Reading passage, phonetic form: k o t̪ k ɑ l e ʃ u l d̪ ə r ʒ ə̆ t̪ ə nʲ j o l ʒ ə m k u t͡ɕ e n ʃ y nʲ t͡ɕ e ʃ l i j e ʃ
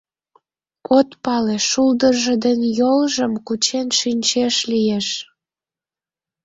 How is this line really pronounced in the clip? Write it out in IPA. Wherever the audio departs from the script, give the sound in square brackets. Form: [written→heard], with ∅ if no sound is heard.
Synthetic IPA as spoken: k o t̪ [k→p] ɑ l e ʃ u l d̪ ə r ʒ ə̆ [t̪→d̪] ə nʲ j o l ʒ ə m k u t͡ɕ e n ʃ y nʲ t͡ɕ e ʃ l i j e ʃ